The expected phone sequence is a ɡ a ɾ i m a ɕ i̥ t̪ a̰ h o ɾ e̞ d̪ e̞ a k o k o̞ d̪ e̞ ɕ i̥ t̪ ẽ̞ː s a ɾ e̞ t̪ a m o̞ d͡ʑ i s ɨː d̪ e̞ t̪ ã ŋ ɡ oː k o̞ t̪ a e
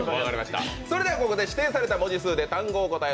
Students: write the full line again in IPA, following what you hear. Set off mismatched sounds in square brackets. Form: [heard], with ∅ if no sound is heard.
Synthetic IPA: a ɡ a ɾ i m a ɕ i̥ t̪ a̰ [s] o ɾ e̞ d̪ e̞ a k o k o̞ d̪ e̞ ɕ i̥ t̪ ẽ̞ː s a ɾ e̞ t̪ a m o̞ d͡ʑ i s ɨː d̪ e̞ t̪ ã ŋ ɡ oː k o̞ t̪ a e